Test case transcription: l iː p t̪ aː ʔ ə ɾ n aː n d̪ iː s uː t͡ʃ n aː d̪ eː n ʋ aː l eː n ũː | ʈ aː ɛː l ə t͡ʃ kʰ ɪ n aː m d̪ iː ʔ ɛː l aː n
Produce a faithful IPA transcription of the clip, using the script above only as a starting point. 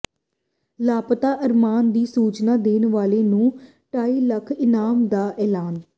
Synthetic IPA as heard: l aː p t̪ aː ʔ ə ɾ m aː n d̪ iː s uː t͡ʃ n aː d̪ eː n ʋ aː l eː n ũː | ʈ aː iː l ə kʰ ɪ n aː m d̪ aː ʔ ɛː l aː n